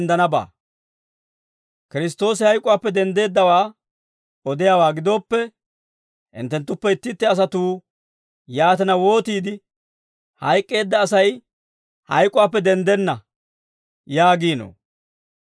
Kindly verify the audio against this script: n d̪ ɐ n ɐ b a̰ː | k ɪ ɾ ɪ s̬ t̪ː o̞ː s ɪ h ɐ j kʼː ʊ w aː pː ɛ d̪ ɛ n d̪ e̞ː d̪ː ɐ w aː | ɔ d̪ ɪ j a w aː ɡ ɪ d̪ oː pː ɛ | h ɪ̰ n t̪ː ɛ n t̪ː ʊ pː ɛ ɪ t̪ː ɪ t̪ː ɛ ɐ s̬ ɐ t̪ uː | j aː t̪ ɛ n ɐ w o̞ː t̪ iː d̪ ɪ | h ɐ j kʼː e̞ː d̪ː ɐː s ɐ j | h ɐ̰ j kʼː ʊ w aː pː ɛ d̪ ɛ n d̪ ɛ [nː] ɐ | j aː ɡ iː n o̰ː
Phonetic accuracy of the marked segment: correct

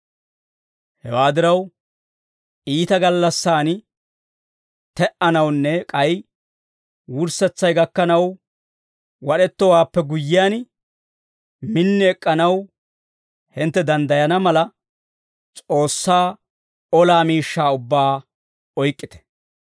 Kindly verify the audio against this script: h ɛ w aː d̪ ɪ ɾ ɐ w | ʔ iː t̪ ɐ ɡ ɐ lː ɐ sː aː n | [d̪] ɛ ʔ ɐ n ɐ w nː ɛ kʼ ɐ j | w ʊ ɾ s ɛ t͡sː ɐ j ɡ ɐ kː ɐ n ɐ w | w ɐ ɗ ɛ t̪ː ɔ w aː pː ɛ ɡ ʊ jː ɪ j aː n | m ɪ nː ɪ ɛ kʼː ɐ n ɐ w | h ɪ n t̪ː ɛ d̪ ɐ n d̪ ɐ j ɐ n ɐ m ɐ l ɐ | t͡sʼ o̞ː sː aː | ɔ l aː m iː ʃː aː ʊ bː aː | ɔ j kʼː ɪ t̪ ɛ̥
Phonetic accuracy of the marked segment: incorrect: t̪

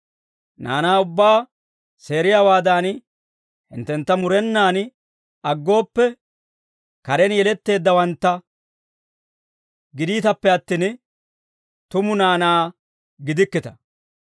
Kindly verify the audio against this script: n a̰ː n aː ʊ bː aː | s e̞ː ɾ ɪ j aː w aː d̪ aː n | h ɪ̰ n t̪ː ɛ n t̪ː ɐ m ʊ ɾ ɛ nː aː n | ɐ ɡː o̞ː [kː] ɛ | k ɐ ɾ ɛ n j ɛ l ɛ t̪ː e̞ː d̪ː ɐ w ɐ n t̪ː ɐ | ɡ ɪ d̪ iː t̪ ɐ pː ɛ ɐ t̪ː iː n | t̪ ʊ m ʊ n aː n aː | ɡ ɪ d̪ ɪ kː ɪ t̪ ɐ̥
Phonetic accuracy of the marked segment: incorrect: pː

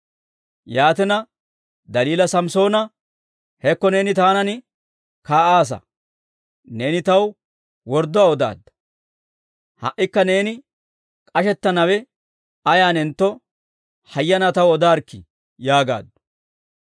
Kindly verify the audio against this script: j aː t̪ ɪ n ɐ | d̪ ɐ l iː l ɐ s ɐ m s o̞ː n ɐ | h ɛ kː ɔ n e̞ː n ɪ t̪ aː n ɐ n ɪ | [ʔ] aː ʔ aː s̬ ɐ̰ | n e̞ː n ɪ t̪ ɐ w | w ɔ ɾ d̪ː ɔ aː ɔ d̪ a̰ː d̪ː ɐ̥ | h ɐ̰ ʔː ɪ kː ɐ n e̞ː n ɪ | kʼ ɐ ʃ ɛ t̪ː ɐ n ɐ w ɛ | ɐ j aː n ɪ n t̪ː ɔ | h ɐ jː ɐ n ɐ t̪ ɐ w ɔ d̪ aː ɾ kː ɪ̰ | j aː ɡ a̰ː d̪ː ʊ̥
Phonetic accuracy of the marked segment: incorrect: k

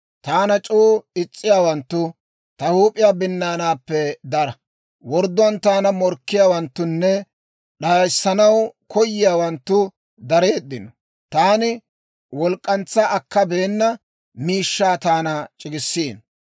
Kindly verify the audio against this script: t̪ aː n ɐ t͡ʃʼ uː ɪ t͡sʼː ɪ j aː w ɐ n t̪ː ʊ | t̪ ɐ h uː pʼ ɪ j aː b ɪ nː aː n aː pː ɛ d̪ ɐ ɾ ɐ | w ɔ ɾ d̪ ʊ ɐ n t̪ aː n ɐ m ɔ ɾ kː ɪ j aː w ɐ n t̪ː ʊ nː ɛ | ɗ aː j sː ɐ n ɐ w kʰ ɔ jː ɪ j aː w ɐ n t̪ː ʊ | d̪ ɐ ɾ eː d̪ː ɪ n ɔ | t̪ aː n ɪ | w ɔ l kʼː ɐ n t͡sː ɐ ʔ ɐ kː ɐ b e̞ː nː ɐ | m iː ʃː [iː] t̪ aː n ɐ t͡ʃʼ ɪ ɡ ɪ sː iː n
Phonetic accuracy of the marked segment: incorrect: aː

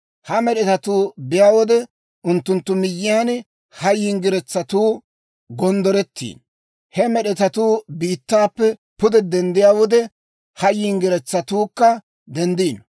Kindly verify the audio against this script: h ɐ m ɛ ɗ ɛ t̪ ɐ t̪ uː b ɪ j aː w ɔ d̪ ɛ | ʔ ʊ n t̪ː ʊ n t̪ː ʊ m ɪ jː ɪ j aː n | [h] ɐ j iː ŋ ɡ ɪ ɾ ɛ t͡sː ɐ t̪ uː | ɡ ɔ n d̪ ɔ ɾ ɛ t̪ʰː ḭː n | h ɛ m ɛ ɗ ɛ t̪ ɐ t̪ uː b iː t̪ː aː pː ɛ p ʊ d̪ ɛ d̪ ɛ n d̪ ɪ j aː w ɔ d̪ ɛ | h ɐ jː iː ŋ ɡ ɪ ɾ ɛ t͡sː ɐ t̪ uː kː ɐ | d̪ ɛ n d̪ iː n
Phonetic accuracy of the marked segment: correct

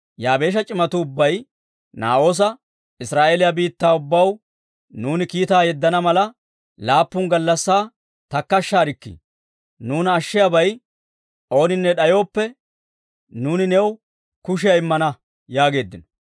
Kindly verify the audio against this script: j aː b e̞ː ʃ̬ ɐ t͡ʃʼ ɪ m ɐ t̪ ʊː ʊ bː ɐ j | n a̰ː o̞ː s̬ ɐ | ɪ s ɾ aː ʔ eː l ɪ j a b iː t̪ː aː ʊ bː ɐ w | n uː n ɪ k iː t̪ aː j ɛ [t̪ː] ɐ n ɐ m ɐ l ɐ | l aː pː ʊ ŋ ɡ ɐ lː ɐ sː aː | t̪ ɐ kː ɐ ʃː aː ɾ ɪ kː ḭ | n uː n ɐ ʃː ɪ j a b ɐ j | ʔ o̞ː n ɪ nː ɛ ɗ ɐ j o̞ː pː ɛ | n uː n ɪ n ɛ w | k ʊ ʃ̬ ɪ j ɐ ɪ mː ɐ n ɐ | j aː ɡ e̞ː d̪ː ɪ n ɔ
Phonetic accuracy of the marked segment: incorrect: d̪ː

